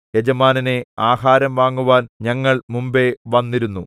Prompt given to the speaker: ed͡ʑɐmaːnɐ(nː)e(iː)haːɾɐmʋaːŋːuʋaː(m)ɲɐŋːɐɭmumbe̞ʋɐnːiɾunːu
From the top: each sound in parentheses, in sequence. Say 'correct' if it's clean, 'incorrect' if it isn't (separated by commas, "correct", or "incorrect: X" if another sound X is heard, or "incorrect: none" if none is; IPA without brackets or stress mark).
incorrect: n, incorrect: aː, incorrect: n